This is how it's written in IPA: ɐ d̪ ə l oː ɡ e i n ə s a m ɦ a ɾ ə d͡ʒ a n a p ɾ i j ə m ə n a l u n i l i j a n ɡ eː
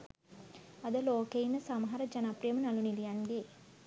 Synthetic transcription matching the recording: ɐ d̪ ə l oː k e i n ə s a m ɦ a ɾ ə d͡ʒ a n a p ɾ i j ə m ə n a l u n i l i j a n ɡ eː